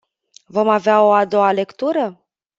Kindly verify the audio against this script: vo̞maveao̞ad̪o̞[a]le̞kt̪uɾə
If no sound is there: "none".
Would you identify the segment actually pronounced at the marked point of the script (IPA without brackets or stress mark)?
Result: a